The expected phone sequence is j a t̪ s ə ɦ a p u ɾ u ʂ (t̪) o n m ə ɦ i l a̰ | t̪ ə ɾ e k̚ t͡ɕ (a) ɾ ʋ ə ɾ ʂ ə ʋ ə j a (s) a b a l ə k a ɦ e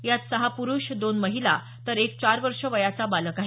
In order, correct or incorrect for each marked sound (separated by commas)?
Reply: incorrect, correct, incorrect